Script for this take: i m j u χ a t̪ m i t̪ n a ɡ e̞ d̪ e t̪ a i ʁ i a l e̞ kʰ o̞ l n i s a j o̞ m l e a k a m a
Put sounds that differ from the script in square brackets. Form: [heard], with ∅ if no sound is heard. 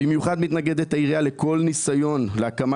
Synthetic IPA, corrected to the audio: i m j u χ a [d̪] m i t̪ n a ɡ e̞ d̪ e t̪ a i ʁ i a l e̞ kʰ o̞ l n i s a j o̞ [n] l e a k a m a